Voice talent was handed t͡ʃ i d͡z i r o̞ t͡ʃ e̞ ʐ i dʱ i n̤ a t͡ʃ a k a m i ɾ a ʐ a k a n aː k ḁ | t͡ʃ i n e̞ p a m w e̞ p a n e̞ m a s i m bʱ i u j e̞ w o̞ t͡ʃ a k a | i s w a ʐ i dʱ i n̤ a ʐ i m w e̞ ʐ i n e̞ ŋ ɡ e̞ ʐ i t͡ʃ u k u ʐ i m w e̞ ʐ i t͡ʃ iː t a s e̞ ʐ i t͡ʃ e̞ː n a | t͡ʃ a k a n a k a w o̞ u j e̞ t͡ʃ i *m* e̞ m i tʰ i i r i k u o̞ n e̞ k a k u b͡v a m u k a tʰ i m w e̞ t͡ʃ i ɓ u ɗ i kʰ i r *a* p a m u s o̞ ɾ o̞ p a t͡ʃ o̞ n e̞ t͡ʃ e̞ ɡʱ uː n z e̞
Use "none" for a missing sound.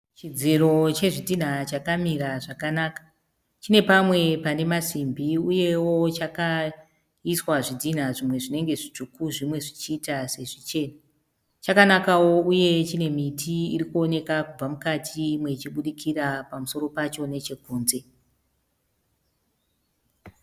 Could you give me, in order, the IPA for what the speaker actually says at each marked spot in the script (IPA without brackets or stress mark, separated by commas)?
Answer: n, a